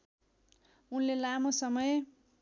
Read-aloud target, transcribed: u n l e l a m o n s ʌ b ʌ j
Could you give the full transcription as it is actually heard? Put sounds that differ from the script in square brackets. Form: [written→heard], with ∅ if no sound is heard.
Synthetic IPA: u n l e l a m o [n→∅] s ʌ [b→m] ʌ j